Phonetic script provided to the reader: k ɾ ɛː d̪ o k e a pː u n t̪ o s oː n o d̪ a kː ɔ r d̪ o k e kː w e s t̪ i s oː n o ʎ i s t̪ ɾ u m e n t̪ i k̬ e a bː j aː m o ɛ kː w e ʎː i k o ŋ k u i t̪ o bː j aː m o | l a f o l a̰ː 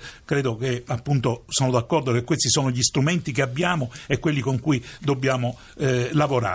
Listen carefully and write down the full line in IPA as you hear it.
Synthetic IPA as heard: k ɾ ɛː d̪ o k e a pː u n t̪ o s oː n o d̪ a kː ɔ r d̪ o k e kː w e s t̪ i s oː n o ʎ i s t̪ ɾ u m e n t̪ i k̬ e a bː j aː m o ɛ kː w e lː i k o ŋ k u i d̪ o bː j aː m o | l a v o ɾ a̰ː